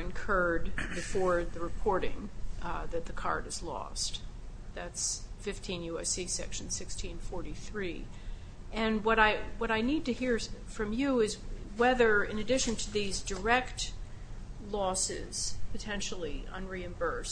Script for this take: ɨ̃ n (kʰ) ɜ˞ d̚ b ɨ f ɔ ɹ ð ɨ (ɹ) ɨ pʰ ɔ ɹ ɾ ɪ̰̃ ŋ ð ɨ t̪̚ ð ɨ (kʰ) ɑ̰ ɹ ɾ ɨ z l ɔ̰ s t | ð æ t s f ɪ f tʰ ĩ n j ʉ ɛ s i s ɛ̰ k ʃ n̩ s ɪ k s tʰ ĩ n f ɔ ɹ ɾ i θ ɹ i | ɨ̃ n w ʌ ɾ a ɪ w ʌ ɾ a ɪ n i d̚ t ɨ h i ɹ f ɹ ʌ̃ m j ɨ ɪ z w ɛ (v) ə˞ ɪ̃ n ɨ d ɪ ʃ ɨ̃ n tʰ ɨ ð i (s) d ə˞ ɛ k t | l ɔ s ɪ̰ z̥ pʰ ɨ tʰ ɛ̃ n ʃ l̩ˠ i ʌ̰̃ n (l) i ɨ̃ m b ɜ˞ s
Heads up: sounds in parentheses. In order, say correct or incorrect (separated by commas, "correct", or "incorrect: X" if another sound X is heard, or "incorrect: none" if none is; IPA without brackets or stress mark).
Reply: correct, correct, correct, incorrect: ð, incorrect: z, incorrect: ɹ